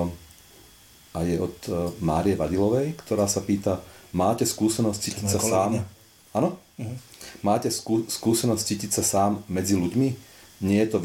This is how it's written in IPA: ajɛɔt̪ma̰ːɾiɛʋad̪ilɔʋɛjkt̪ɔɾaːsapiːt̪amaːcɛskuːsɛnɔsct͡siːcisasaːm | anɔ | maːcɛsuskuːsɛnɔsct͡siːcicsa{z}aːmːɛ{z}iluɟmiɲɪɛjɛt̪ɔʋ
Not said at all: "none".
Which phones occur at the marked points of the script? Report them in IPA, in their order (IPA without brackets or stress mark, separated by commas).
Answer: s, d͡z